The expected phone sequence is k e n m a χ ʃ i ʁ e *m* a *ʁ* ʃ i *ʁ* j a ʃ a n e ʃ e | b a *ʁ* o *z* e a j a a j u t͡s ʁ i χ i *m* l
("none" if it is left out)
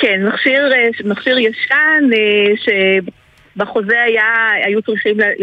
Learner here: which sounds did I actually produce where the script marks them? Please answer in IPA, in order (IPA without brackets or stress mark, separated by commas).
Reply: m, χ, ʁ, χ, z, m